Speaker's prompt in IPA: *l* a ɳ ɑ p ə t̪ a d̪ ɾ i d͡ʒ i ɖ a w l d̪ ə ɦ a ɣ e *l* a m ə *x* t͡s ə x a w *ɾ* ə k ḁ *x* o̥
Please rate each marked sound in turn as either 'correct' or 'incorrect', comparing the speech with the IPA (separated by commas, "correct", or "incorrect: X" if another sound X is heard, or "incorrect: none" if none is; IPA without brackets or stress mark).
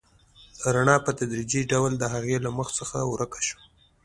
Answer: incorrect: ɾ, correct, correct, correct, incorrect: ʃ